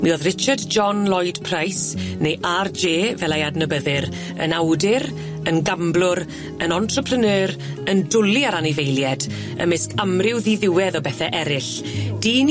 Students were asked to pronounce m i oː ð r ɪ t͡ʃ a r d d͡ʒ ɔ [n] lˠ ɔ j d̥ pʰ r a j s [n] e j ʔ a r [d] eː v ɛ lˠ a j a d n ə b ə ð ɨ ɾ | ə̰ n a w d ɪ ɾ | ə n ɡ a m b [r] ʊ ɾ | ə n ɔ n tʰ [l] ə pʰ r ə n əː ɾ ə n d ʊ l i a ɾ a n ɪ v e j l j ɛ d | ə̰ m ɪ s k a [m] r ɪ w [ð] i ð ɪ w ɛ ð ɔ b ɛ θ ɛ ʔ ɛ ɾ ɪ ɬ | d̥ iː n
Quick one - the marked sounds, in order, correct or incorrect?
correct, correct, incorrect, incorrect, incorrect, correct, correct

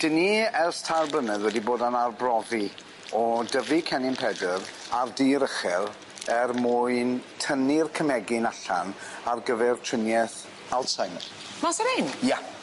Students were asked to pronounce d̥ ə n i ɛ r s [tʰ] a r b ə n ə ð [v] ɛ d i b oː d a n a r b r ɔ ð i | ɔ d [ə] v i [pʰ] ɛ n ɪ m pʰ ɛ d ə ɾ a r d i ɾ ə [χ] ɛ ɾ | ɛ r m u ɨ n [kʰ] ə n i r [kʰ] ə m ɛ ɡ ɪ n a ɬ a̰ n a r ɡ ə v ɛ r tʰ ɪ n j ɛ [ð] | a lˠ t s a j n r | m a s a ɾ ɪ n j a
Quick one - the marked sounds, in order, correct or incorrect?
correct, incorrect, correct, incorrect, correct, incorrect, correct, incorrect

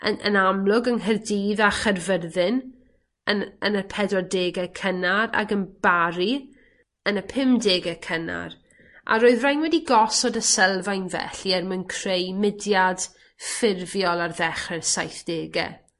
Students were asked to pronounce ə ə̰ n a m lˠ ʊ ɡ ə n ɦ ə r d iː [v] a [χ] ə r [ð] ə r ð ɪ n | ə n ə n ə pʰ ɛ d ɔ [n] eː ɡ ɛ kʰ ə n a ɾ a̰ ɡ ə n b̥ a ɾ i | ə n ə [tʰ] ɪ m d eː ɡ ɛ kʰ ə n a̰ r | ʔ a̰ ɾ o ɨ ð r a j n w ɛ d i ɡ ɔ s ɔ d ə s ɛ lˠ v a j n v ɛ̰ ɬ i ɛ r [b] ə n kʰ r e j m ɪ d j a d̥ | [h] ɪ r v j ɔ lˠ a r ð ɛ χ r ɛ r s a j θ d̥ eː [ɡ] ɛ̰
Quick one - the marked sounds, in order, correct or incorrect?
incorrect, correct, incorrect, incorrect, incorrect, incorrect, incorrect, correct

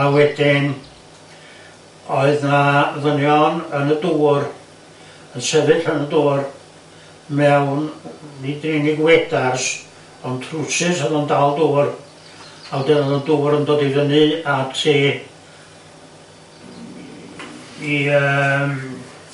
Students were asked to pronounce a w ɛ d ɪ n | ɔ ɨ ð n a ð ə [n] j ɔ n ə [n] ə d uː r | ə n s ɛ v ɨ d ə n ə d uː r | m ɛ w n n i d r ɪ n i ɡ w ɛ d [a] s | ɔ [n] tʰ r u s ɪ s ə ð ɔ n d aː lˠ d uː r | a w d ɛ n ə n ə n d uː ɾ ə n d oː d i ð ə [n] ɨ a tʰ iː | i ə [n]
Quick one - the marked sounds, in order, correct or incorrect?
correct, correct, correct, correct, correct, incorrect

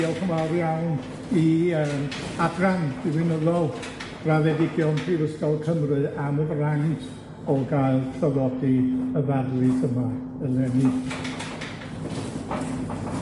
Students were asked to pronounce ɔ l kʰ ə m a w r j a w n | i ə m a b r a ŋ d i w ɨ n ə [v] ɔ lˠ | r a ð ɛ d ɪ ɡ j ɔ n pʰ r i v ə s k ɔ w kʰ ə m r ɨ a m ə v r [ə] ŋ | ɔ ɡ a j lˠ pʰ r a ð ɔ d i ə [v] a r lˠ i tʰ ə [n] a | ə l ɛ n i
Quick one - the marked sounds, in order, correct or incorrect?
incorrect, incorrect, correct, incorrect

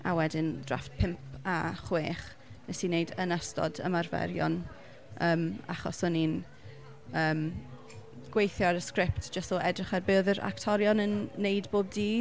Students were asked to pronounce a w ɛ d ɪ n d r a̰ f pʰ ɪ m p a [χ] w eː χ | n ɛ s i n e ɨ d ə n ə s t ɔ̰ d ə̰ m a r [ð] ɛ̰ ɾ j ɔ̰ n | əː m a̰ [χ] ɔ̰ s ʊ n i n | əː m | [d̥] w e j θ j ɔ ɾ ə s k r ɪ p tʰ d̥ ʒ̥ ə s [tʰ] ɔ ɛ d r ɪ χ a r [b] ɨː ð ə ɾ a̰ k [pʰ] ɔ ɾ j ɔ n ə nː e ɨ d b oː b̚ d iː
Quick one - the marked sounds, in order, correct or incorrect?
correct, incorrect, correct, incorrect, incorrect, correct, incorrect

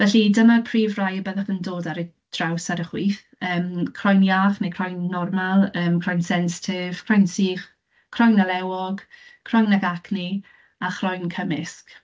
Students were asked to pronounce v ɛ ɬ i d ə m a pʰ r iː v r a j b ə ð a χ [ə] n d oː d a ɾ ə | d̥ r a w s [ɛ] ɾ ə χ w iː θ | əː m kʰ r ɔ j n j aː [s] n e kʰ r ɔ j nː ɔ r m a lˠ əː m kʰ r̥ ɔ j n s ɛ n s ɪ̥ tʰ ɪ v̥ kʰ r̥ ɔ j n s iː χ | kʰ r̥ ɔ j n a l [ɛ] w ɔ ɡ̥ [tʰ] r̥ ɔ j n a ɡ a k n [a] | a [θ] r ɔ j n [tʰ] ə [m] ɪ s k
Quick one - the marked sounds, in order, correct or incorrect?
correct, incorrect, incorrect, correct, incorrect, incorrect, incorrect, incorrect, correct

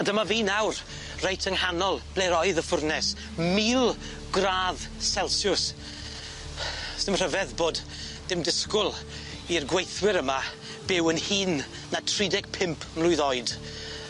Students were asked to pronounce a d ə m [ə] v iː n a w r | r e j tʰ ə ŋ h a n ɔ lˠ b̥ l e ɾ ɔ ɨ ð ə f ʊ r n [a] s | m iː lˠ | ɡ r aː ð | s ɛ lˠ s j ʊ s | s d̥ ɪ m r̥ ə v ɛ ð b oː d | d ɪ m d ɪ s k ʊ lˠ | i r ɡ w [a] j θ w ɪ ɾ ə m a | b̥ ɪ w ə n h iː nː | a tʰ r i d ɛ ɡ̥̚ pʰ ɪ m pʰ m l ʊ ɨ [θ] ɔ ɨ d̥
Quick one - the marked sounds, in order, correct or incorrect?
incorrect, incorrect, incorrect, incorrect

